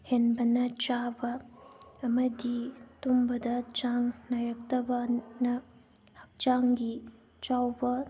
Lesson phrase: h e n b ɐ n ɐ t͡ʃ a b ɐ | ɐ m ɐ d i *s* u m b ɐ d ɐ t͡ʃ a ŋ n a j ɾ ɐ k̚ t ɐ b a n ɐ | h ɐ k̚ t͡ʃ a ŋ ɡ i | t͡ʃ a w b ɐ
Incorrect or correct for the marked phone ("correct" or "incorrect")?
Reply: incorrect